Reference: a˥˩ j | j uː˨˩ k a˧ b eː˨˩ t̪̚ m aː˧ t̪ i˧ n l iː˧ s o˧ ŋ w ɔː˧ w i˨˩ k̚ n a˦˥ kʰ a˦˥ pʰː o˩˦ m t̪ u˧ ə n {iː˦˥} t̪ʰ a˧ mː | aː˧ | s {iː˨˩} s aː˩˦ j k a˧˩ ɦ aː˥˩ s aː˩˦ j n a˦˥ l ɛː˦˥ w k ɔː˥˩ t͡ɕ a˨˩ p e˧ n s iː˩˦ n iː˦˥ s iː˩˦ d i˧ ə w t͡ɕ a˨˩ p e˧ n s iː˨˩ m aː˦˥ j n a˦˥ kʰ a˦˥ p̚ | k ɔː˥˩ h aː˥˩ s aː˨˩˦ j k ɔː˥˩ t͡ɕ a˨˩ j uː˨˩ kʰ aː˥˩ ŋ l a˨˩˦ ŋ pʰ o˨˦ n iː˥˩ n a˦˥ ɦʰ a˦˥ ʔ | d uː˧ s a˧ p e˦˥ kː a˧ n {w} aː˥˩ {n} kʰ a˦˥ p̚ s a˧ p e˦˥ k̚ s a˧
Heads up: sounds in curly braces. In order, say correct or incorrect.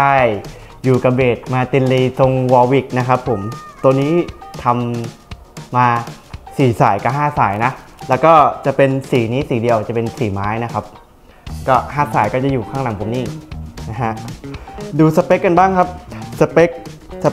correct, correct, incorrect, incorrect

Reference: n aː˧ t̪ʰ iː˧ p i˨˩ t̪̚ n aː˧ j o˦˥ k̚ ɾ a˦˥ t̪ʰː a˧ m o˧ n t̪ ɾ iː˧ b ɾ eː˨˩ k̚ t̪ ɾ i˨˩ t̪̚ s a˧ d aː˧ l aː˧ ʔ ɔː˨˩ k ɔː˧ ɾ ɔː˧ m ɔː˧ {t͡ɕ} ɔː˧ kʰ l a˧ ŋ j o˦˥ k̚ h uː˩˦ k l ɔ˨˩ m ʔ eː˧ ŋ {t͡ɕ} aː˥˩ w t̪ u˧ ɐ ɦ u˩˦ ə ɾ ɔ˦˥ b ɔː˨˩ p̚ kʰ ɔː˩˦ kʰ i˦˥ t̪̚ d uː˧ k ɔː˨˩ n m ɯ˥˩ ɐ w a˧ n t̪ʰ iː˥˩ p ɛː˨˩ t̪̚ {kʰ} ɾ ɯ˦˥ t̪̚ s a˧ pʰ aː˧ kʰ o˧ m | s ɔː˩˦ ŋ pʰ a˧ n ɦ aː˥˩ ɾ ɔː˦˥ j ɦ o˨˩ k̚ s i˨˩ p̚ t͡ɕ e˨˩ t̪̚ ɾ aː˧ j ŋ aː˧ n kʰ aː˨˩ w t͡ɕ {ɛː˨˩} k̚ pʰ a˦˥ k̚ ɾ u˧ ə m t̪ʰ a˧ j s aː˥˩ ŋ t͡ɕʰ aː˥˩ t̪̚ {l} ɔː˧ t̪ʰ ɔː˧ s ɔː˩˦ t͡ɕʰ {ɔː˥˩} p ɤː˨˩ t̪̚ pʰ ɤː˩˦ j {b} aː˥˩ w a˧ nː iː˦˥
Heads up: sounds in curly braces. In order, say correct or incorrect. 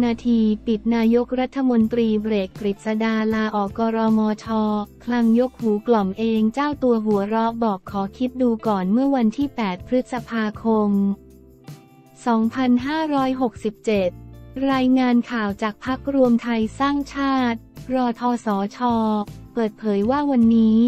incorrect, correct, incorrect, incorrect, incorrect, incorrect, incorrect

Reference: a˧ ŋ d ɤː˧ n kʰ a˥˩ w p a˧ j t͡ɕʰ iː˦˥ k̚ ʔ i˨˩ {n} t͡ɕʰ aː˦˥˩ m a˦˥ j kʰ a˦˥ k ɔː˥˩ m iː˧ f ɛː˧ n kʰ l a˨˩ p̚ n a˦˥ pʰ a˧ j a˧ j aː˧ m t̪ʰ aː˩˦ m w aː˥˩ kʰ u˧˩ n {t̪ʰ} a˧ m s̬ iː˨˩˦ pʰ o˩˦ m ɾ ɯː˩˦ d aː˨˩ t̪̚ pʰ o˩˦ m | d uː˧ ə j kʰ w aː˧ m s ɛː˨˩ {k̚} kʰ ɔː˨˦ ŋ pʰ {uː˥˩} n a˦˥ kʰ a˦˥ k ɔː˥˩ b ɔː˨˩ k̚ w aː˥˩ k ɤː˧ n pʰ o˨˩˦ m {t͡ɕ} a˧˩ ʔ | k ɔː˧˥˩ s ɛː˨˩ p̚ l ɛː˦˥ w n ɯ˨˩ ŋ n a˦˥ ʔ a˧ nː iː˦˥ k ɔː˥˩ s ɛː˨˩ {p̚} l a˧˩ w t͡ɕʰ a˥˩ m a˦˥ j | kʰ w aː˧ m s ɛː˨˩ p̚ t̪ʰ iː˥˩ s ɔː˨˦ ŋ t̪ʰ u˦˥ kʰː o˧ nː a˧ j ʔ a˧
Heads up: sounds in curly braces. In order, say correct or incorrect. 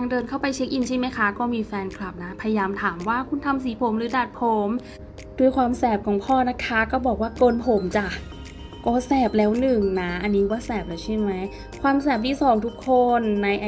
correct, correct, incorrect, incorrect, correct, correct

